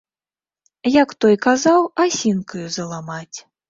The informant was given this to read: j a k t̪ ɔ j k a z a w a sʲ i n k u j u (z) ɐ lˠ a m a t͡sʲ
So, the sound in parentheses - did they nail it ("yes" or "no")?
yes